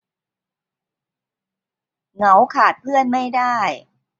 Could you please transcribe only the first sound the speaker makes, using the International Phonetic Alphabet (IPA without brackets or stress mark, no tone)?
ŋ